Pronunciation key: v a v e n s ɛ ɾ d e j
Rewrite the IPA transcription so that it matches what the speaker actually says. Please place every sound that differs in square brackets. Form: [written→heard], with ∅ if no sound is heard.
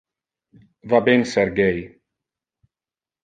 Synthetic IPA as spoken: v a [v→b] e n s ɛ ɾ [d→ɡ] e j